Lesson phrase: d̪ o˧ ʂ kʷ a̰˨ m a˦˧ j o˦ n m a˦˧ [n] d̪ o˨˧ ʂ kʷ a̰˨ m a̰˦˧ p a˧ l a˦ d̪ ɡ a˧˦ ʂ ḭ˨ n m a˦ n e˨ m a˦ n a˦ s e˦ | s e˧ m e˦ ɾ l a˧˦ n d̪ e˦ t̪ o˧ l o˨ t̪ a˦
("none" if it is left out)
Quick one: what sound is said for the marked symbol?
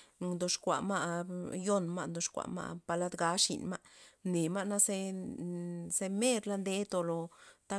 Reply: n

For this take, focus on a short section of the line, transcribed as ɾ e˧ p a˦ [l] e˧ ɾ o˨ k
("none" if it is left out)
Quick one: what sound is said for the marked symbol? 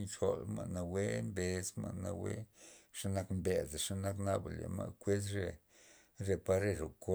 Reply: ɾ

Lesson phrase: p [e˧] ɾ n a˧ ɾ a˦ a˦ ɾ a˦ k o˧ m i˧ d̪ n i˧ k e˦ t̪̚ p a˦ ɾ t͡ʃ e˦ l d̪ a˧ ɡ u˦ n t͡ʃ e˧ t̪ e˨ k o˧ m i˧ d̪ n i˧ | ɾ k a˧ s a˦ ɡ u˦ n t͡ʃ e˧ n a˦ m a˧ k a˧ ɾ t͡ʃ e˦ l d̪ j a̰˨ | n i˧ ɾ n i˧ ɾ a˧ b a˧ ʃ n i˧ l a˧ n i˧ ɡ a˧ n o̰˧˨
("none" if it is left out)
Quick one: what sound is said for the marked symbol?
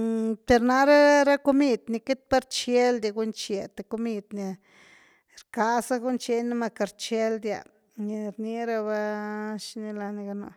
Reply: e˧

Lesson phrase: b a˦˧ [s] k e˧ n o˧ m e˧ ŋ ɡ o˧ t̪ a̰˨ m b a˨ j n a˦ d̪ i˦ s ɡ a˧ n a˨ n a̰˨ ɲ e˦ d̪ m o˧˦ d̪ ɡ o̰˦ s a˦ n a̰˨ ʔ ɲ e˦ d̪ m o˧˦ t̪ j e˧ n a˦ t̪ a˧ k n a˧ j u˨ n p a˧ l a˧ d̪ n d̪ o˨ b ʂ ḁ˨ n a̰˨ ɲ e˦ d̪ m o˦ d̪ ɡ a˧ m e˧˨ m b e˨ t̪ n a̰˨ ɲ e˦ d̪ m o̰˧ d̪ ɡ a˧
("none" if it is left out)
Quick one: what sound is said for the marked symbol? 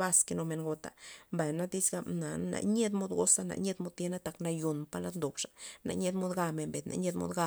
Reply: s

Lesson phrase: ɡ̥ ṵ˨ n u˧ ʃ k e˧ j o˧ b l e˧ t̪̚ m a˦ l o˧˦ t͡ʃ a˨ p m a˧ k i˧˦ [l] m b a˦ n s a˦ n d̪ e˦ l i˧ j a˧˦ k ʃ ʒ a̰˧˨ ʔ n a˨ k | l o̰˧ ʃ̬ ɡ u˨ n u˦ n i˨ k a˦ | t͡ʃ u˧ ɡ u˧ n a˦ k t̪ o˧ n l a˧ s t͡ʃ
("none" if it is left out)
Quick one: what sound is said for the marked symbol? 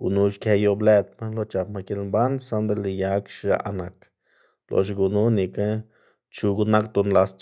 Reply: l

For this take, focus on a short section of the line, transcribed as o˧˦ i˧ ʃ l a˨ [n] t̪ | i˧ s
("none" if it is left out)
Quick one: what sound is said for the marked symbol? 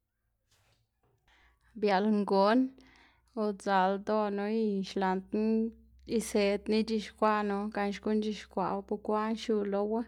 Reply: n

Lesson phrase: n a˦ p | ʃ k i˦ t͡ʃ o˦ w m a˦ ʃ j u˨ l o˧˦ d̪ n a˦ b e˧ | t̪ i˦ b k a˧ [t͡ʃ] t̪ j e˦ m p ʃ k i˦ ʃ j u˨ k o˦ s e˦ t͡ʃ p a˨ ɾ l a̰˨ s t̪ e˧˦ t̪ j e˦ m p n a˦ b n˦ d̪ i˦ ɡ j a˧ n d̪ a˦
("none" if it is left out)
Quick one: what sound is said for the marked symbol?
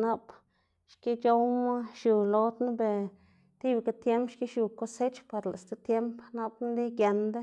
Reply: none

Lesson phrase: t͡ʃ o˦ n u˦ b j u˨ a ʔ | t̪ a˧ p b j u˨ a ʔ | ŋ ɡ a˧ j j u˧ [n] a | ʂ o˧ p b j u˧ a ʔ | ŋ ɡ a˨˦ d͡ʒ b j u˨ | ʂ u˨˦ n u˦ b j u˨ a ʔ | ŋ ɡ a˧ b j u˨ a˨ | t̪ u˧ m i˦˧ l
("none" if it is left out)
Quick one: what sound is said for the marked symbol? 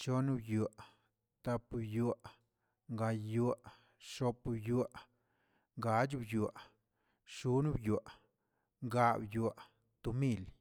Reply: none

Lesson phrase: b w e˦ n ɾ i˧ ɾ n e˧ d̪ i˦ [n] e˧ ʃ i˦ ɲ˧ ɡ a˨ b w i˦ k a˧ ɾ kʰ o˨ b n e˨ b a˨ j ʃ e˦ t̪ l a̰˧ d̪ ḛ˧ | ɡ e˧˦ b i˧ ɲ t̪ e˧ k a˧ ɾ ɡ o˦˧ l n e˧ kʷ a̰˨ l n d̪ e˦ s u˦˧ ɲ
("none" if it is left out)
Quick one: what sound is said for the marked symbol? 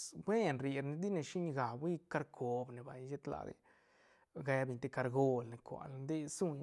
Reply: n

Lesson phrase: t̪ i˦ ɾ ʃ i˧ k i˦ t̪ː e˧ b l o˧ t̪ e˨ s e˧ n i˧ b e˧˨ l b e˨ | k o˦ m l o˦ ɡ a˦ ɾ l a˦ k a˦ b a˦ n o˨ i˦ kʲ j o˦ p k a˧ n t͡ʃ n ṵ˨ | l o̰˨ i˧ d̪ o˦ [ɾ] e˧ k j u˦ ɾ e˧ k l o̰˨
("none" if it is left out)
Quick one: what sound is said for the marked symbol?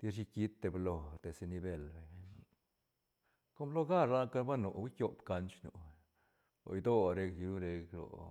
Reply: ɾ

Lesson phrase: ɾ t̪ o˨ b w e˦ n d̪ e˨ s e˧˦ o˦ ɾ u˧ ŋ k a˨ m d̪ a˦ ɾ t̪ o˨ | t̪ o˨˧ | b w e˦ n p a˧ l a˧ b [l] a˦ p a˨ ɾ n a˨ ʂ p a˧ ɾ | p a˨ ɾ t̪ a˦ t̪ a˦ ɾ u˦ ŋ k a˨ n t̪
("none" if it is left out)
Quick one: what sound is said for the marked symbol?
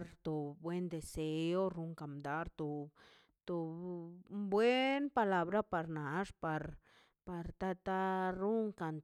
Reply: ɾ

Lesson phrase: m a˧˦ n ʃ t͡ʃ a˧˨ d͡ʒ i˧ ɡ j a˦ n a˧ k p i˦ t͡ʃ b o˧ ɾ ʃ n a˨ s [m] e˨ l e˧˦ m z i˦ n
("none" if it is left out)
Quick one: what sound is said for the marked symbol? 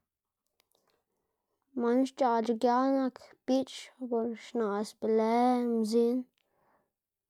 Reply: b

